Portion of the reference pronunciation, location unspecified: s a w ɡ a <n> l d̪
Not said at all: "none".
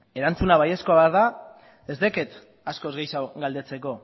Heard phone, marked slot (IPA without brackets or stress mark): none